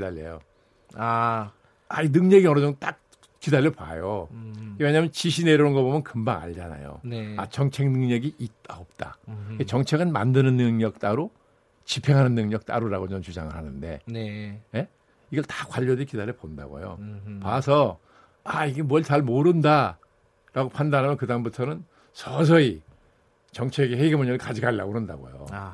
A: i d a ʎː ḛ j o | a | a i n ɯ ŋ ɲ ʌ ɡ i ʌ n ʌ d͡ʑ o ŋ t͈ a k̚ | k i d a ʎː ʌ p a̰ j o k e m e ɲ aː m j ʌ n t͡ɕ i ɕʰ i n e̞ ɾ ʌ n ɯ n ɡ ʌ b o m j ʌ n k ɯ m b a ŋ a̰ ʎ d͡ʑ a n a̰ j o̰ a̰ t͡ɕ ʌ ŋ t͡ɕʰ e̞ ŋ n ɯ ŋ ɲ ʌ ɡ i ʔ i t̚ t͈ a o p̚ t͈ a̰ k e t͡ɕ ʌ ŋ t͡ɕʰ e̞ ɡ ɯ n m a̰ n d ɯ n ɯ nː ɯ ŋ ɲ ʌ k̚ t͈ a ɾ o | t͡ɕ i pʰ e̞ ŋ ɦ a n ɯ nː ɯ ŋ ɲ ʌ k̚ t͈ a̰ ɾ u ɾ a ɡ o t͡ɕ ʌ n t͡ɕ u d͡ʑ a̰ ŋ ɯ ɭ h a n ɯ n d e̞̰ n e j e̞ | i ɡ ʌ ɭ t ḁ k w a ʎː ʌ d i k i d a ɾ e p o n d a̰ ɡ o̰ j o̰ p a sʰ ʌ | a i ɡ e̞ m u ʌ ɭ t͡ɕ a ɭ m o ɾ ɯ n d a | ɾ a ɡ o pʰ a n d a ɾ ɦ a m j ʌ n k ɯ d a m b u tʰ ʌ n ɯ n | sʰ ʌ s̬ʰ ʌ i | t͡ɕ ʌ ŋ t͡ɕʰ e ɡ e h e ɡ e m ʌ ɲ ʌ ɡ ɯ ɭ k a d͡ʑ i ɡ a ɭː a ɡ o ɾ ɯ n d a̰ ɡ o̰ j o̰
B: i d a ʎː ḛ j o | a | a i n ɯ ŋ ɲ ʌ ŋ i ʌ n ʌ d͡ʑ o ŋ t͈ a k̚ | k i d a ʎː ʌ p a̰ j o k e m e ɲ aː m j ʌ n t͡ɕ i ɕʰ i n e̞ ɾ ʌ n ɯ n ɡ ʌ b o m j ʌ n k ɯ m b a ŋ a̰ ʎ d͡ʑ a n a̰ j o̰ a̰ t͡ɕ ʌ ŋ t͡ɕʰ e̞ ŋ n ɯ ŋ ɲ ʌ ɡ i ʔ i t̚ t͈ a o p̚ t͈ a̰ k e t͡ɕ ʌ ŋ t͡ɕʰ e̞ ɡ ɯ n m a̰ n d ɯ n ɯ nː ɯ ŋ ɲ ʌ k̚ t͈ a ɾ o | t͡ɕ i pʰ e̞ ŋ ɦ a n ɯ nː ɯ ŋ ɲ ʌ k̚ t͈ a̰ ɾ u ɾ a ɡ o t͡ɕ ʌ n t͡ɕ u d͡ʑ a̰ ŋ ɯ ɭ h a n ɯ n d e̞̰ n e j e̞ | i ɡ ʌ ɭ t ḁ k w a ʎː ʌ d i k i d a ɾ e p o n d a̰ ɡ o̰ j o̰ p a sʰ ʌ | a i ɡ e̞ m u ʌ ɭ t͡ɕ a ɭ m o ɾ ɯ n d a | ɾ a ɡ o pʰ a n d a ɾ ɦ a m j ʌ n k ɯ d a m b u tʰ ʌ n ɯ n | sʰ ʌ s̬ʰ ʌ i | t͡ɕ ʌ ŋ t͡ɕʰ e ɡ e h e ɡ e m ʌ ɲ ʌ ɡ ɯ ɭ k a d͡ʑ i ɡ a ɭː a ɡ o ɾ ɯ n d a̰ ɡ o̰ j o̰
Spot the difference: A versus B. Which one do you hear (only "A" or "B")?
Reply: A